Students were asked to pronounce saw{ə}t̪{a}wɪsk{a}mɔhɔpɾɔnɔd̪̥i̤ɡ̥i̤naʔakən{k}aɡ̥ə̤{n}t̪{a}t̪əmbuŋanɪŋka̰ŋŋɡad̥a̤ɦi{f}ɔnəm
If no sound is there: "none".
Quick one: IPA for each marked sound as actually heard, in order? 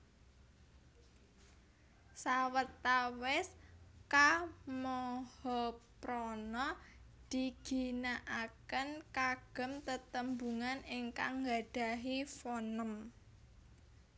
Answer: ə, a, a, k, m, ə, f

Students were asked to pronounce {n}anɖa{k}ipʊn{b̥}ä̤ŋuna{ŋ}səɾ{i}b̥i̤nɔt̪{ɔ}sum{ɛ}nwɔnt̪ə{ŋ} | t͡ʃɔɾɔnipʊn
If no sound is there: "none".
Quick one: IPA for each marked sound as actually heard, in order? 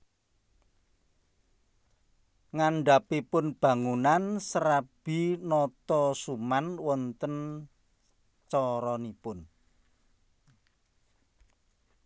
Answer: ŋ, p, b̥, n, a, ɔ, a, n

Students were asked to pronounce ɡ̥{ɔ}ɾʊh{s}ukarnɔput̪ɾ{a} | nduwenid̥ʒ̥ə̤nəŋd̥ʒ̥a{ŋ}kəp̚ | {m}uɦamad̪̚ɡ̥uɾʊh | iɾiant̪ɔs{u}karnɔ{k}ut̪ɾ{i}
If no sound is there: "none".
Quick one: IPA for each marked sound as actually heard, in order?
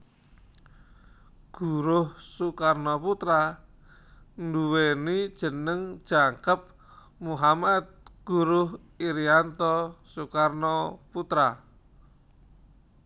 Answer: u, s, a, ŋ, m, u, p, a

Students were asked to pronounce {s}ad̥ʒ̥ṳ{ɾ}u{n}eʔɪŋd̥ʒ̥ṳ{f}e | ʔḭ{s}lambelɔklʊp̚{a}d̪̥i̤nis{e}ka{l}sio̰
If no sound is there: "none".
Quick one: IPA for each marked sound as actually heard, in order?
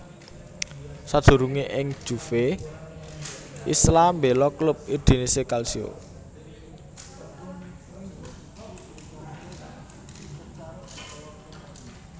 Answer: s, ɾ, ŋ, f, s, i, e, l

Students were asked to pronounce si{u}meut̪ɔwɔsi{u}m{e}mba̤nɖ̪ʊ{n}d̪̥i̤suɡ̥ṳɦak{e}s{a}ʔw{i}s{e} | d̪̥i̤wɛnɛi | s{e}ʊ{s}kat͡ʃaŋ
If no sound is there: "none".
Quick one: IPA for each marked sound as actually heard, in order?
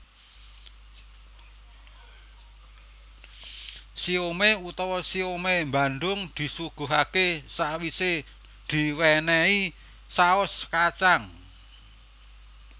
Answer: o, o, e, ŋ, e, a, i, e, a, s

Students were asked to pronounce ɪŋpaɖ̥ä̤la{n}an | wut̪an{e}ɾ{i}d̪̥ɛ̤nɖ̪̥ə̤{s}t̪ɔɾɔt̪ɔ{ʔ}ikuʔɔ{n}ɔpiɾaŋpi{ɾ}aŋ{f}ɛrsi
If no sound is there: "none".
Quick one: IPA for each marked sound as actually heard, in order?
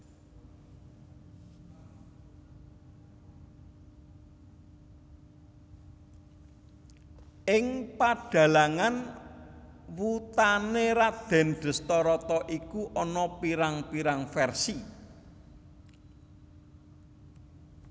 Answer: ŋ, e, a, s, ʔ, n, ɾ, f

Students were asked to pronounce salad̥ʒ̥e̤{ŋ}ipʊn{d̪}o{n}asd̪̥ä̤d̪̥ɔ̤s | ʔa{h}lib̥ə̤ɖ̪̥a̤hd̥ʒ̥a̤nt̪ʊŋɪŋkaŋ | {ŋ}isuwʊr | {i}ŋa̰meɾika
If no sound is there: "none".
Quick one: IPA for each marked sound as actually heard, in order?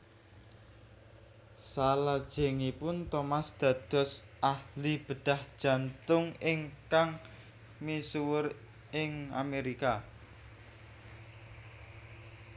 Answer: ŋ, t̪, m, h, m, ɪ

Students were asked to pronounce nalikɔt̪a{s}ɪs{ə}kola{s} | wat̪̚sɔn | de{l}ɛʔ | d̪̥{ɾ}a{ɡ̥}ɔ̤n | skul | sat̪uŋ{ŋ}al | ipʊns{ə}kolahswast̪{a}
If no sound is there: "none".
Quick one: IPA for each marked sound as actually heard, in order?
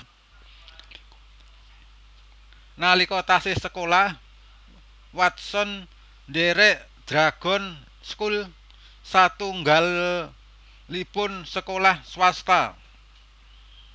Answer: s, ə, h, ɾ, ɾ, ɡ̥, ɡ, ə, a

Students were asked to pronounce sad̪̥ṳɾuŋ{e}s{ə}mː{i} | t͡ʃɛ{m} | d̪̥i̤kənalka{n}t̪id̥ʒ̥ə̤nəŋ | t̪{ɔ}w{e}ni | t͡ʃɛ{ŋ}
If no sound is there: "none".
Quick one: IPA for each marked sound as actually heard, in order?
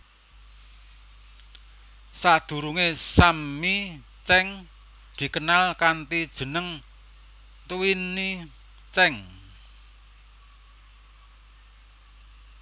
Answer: e, a, i, ŋ, n, u, i, ŋ

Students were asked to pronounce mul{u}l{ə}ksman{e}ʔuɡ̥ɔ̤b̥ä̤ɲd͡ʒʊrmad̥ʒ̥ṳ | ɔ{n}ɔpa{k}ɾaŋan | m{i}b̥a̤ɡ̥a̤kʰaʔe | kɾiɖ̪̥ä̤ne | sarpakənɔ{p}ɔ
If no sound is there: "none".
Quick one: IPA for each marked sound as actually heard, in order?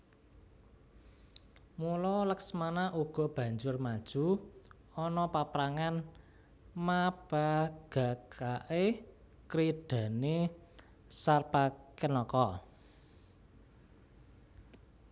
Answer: ɔ, ə, a, n, p, a, k

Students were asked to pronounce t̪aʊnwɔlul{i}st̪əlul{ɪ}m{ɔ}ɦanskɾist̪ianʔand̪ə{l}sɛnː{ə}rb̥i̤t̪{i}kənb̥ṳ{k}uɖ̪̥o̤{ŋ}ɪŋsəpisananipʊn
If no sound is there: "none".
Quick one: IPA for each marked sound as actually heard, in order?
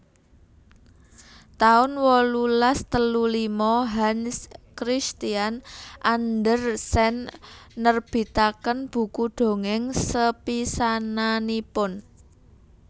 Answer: a, i, ɔ, r, ə, a, k, ŋ

